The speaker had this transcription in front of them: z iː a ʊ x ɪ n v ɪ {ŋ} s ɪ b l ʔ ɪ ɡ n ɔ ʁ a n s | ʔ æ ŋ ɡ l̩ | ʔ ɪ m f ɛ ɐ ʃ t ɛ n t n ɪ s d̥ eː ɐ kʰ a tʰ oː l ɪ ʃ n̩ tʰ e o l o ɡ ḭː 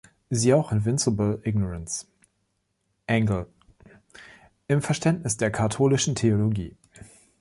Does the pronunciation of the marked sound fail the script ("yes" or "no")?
yes